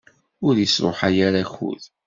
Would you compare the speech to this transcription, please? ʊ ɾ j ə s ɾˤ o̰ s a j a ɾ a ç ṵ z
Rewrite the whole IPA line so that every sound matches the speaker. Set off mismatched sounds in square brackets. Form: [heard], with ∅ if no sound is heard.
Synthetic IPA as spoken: ʊ ɾ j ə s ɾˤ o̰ [ħ] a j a ɾ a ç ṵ [ð]